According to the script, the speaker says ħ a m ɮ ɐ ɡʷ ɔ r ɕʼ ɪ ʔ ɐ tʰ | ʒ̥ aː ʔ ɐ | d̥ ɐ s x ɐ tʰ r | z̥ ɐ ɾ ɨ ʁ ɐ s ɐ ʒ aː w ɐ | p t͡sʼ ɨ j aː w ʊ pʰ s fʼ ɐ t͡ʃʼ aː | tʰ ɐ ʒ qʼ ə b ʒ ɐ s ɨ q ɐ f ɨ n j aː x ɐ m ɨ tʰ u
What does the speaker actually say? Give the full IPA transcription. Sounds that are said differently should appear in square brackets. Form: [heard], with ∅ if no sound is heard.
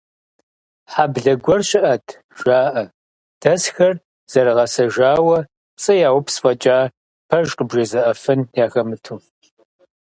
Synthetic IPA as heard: ħ a [b] ɮ ɐ ɡʷ ɔ r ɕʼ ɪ ʔ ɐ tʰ | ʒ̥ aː ʔ ɐ | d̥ ɐ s x ɐ [∅] r | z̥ ɐ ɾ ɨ ʁ ɐ s ɐ ʒ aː w ɐ | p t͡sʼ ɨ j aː w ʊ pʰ s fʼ ɐ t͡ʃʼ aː | [pʰ] ɐ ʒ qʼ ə b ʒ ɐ [z] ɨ [ʔ] ɐ f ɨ n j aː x ɐ m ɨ tʰ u